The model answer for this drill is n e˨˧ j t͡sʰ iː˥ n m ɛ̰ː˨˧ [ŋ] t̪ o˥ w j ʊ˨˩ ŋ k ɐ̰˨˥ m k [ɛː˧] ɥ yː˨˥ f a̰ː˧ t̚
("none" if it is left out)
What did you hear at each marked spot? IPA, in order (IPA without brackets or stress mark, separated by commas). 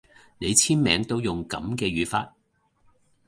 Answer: ŋ, ɛː˧